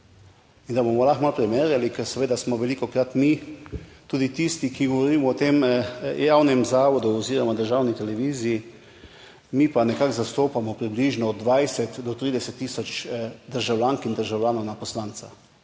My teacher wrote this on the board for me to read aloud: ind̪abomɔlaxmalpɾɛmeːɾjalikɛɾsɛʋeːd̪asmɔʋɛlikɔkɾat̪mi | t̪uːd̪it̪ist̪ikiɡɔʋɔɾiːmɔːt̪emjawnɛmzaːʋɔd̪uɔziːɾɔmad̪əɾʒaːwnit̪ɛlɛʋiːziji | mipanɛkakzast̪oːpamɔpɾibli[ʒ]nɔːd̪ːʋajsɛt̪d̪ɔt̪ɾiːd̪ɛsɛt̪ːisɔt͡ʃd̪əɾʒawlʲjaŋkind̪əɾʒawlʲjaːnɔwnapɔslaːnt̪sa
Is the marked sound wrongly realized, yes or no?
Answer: no